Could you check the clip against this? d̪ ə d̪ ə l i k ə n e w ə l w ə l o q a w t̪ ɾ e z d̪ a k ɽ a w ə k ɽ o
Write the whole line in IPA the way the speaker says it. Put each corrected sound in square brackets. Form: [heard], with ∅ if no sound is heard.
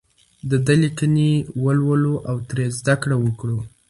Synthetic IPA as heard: d̪ ə d̪ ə l i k ə n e w ə l w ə l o [ʔ] a w t̪ ɾ e z d̪ a k ɽ a w ə k ɽ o